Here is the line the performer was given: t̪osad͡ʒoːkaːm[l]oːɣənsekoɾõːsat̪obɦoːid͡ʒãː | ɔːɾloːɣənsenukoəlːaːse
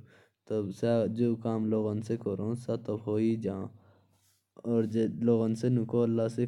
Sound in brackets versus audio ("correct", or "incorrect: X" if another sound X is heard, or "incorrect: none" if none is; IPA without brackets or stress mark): correct